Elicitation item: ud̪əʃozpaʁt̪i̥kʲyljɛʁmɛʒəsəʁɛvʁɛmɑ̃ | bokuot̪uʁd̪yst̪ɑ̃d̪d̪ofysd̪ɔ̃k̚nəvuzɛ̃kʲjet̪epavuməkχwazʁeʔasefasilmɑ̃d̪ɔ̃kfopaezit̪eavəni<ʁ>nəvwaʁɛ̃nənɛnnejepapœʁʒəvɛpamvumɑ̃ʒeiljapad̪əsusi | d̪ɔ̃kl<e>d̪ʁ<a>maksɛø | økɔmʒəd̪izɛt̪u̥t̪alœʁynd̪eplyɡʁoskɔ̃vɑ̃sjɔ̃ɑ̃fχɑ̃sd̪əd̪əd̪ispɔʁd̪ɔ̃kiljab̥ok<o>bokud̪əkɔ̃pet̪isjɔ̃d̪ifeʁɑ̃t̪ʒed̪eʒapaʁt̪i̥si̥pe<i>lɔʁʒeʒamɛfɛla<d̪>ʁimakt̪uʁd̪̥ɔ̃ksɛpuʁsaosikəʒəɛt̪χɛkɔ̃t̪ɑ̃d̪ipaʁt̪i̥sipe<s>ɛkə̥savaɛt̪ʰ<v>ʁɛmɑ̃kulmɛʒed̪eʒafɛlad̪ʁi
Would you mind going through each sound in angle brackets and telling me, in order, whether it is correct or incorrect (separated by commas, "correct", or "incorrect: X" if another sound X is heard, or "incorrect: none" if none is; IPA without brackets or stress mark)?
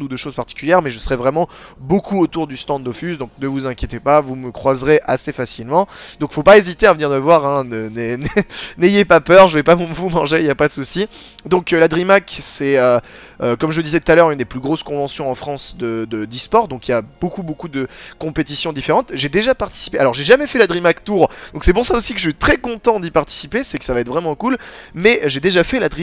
correct, incorrect: a, incorrect: i, incorrect: u, incorrect: a, correct, correct, correct